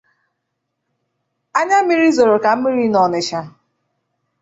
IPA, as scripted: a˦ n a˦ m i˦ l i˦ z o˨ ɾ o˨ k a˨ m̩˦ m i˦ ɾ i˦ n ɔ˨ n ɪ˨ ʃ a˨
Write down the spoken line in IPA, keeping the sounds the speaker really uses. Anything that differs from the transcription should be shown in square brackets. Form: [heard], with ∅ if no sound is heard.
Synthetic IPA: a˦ [ɲ] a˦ m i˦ [ɾ] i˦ z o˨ ɾ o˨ k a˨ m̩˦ m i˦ ɾ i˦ n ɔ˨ n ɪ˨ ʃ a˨

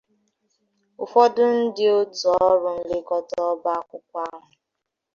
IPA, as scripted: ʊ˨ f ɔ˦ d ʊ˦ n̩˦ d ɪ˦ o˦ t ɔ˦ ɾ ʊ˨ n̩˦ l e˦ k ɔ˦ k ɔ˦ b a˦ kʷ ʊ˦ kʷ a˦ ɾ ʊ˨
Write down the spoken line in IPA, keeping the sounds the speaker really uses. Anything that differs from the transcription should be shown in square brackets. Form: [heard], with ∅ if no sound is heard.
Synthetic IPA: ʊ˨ f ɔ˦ d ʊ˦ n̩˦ d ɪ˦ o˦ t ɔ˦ ɾ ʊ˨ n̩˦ l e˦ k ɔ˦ [t] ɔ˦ b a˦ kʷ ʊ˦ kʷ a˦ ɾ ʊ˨

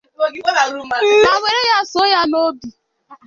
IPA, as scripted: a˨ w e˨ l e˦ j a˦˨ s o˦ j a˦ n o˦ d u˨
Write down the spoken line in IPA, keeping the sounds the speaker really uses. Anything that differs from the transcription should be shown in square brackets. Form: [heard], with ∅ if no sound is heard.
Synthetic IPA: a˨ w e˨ [ɾ] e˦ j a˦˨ s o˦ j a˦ n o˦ d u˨

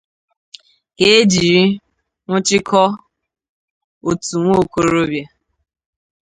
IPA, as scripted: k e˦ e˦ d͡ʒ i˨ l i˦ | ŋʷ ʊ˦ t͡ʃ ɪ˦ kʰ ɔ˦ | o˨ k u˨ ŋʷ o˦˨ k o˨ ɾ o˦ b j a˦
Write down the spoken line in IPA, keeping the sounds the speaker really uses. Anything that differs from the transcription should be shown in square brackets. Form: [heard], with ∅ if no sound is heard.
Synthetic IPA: k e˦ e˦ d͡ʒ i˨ [ɾ] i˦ | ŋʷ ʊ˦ t͡ʃ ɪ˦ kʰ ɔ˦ | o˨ [t] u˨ ŋʷ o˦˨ k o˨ ɾ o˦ b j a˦

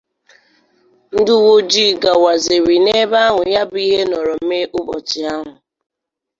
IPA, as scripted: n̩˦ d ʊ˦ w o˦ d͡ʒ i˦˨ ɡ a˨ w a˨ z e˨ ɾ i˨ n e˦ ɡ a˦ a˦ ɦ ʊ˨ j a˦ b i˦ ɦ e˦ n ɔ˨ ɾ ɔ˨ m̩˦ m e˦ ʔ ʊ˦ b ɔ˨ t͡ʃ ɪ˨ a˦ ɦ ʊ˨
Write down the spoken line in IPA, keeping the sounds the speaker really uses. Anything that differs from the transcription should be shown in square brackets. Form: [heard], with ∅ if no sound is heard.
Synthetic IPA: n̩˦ d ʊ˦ w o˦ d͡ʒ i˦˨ ɡ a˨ w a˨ z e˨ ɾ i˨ n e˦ [b] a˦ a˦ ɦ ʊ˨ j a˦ b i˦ ɦ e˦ n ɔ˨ ɾ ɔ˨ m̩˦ m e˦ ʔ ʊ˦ b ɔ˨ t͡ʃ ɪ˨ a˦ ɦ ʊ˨

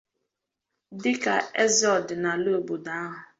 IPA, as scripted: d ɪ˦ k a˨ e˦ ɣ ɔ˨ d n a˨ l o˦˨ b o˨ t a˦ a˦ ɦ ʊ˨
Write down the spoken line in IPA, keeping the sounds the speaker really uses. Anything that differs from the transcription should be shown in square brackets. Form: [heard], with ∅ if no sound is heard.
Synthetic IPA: d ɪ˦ k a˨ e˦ [z] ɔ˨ d n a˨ l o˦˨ b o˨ [d] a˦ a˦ ɦ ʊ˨

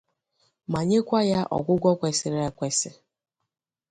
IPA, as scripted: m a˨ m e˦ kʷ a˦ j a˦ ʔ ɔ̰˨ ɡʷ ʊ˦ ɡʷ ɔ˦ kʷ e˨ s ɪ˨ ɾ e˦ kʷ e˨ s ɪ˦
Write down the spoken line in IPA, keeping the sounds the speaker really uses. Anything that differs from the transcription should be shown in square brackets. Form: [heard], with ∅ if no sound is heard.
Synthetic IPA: m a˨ [ɲ] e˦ kʷ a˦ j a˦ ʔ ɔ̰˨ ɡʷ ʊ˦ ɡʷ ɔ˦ kʷ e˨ s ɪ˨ ɾ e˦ kʷ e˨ s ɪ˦

